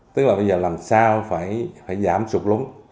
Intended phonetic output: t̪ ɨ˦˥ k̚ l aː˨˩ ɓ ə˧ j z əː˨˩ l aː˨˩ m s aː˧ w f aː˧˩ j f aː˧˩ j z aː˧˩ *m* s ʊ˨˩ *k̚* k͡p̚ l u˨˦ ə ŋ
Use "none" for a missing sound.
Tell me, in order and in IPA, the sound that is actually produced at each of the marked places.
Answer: m, none

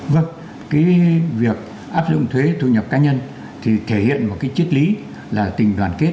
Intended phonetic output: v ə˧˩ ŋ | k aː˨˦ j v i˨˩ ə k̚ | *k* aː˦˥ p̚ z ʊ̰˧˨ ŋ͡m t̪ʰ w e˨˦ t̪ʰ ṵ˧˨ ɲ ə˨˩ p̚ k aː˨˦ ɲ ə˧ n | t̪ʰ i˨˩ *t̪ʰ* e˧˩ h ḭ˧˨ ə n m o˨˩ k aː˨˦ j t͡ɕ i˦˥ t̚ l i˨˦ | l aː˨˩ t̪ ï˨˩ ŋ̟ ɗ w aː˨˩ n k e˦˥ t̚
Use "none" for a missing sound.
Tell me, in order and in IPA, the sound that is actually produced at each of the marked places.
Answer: ʔ, t̪ʰ

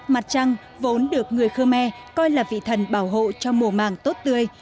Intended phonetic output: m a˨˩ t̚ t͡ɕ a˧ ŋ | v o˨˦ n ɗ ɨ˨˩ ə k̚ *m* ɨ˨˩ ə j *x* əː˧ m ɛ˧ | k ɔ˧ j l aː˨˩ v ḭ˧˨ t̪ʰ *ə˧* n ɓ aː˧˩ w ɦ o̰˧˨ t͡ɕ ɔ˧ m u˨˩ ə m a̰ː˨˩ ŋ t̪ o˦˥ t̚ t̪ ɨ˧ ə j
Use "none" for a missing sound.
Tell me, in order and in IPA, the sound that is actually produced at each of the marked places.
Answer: ŋ, x, ə˨˩

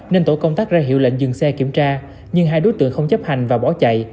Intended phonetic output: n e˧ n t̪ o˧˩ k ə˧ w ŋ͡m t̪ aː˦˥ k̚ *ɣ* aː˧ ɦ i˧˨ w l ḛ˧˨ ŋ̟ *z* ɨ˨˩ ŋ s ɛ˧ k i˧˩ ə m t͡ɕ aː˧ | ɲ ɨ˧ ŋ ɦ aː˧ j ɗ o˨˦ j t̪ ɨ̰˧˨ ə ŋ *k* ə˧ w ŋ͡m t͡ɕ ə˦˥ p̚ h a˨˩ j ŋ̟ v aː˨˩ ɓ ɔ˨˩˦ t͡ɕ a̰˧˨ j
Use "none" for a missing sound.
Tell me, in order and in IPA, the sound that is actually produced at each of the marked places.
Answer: z, z, x

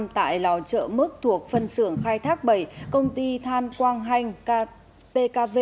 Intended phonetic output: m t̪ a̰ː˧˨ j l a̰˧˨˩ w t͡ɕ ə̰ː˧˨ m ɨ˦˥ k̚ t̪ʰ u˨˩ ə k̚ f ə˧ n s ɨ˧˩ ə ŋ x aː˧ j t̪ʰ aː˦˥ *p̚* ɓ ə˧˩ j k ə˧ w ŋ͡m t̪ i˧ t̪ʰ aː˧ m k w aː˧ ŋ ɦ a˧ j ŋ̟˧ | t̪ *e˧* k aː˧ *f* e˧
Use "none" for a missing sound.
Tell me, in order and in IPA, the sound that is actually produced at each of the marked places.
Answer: k̚, e˧, v

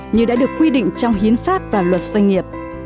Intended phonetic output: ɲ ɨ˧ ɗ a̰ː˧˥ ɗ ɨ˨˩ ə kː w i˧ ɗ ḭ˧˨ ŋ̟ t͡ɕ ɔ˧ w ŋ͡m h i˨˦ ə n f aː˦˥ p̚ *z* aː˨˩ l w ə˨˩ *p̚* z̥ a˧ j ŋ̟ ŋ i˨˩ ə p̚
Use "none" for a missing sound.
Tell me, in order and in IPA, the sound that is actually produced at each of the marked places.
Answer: v, t̚

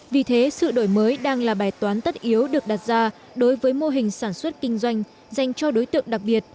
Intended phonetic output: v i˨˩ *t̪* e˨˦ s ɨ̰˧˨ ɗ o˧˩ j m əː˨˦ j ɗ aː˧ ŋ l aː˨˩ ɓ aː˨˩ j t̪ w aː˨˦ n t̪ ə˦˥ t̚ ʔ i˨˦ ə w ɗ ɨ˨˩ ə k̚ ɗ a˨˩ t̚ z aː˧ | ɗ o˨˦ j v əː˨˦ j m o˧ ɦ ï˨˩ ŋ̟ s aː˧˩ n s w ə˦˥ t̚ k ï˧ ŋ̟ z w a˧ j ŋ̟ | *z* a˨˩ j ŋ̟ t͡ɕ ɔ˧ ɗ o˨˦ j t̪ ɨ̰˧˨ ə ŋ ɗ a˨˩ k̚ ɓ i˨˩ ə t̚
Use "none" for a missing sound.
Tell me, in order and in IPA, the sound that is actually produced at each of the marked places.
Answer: t̪ʰ, z

